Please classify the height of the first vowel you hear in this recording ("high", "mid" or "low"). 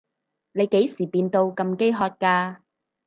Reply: mid